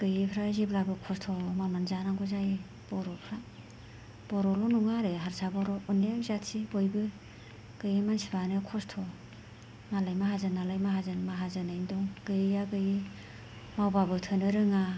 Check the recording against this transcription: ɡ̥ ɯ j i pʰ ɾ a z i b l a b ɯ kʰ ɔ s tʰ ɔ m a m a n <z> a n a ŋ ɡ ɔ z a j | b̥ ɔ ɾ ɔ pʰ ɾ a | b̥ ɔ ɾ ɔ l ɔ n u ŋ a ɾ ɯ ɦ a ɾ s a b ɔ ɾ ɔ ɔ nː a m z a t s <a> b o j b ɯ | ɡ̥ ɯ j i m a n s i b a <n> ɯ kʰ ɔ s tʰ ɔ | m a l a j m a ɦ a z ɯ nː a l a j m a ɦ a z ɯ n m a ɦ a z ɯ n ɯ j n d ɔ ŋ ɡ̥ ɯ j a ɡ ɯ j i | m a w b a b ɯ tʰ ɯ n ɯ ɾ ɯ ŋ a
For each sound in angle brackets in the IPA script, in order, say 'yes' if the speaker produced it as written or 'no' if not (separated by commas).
yes, no, yes